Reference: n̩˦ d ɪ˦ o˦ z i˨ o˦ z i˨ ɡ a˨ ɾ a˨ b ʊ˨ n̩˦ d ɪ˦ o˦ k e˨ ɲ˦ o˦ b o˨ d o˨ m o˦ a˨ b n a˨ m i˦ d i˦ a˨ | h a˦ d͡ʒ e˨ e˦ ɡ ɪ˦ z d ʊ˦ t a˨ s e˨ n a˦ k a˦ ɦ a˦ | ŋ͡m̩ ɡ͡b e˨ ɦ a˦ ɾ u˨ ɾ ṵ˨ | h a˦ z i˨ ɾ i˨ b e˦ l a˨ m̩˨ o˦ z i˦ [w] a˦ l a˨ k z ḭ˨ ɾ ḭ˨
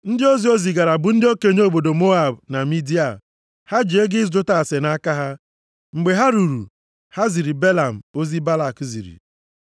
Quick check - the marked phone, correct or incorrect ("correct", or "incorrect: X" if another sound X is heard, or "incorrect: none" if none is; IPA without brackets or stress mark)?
incorrect: b